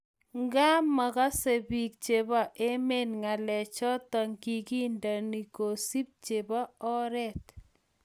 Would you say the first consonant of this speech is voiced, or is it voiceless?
voiced